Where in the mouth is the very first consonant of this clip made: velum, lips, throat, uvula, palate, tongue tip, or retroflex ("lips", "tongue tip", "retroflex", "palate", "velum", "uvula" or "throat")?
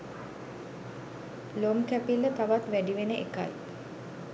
tongue tip